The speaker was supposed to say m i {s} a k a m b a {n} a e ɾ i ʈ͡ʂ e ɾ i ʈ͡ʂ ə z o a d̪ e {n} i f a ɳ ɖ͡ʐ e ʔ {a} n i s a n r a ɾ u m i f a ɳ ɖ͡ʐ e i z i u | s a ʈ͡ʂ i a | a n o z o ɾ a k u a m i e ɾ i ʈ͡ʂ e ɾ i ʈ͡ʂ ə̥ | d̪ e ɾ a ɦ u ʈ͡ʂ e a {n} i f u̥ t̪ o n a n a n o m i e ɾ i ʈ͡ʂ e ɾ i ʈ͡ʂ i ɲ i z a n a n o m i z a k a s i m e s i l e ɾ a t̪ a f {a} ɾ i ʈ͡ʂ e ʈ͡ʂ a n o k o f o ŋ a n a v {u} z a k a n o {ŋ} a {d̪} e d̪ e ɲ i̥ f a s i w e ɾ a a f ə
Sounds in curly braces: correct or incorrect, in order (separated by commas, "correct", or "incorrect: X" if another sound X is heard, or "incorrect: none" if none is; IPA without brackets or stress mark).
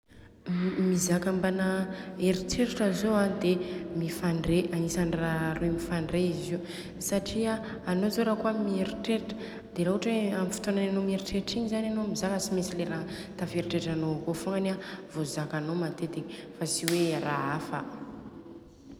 incorrect: z, correct, incorrect: m, correct, incorrect: m, incorrect: e, incorrect: o, incorrect: m, incorrect: t̪